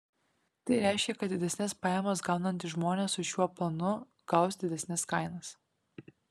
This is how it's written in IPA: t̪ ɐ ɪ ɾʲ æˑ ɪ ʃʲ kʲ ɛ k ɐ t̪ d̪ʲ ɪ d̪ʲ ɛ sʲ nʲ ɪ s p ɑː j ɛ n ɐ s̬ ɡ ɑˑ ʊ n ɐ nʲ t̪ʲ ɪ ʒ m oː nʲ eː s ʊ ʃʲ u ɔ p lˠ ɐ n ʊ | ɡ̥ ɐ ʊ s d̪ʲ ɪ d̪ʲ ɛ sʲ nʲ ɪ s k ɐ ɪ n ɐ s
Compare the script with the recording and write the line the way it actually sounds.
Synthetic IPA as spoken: t̪ ɐ ɪ ɾʲ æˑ ɪ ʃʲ kʲ ɛ k ɐ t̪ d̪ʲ ɪ d̪ʲ ɛ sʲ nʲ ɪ s p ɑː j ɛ m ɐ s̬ ɡ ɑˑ ʊ n ɐ nʲ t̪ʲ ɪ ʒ m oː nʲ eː s ʊ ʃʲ u ɔ p lˠ ɐ n ʊ | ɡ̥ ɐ ʊ s d̪ʲ ɪ d̪ʲ ɛ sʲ nʲ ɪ s k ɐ ɪ n ɐ s